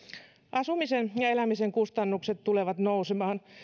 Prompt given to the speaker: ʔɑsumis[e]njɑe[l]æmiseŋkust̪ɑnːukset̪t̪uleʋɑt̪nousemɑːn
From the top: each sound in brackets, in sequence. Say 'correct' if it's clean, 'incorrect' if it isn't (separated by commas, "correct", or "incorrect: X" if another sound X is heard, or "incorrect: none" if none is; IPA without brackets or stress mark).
correct, correct